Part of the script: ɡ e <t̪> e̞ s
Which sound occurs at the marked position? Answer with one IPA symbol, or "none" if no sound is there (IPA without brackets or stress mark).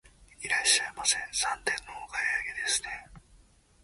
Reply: d̪